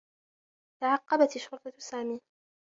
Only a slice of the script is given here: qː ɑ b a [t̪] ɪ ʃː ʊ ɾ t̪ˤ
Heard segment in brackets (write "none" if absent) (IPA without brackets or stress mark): t̪